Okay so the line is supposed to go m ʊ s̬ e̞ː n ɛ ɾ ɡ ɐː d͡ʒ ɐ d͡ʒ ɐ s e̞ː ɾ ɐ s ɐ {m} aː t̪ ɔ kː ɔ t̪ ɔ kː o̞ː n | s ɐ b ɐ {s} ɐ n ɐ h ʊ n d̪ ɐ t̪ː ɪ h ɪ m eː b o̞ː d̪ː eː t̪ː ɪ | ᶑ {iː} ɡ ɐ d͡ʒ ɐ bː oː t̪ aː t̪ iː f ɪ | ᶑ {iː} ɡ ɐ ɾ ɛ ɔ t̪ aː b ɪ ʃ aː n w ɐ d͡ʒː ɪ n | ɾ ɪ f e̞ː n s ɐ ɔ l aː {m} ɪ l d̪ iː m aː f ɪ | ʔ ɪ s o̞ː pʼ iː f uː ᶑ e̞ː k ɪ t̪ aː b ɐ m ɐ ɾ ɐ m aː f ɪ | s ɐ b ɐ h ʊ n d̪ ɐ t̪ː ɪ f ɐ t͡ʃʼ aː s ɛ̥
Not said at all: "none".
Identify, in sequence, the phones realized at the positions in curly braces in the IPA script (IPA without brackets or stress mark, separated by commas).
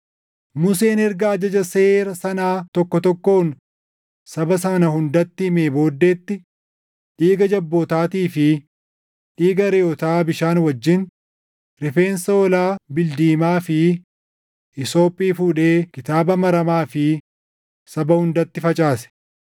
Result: n, s, iː, iː, b